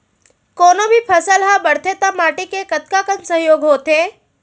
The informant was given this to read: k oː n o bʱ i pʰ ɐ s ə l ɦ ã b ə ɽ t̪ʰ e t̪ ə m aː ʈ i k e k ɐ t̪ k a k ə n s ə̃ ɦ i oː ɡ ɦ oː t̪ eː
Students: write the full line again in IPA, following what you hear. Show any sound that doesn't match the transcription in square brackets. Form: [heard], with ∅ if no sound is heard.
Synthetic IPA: k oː n o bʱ i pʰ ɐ s ə l ɦ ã b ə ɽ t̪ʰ e t̪ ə m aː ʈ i k e k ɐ t̪ k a k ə n s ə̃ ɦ [j] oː ɡ ɦ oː t̪ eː